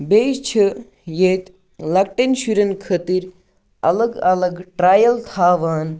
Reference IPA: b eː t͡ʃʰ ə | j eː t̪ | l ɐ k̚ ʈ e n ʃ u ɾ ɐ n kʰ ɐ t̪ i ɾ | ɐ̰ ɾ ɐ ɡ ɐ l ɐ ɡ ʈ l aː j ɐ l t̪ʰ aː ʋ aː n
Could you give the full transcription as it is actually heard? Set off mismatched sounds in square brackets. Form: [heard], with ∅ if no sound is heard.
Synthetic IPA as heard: b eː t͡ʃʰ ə | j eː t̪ | l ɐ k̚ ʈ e n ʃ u ɾ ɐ n kʰ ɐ t̪ i ɾ | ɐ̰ [l] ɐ ɡ ɐ l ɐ ɡ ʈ [ɾ] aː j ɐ l t̪ʰ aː ʋ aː n